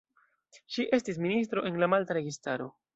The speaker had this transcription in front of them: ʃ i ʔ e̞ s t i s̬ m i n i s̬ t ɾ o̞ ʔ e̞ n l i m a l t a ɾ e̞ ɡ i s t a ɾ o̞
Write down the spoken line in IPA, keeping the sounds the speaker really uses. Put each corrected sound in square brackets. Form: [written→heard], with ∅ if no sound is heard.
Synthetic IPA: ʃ i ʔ e̞ s t i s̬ m i n i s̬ t ɾ o̞ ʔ e̞ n l [i→a] m a l t a ɾ e̞ ɡ i s t a ɾ o̞